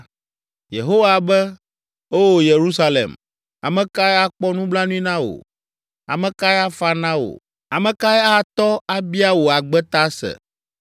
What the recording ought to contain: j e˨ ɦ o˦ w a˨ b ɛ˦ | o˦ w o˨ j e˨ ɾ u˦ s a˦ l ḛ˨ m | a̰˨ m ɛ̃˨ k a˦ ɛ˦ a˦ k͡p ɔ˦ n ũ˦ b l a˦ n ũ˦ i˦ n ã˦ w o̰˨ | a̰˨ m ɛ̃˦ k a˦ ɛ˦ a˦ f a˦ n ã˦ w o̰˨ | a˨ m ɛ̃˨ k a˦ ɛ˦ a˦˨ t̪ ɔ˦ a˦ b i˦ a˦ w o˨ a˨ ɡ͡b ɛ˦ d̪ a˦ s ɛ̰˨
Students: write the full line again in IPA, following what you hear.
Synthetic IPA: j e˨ ɦ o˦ w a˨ b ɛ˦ | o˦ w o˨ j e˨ ɾ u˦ s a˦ l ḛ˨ m | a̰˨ m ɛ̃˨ k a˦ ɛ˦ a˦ k͡p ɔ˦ n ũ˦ b l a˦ n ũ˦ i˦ n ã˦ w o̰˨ | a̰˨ m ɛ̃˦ k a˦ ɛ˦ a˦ f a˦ n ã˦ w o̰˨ | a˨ m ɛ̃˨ k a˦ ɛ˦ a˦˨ t̪ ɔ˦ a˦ b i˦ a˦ w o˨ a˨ ɡ͡b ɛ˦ t̪ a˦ s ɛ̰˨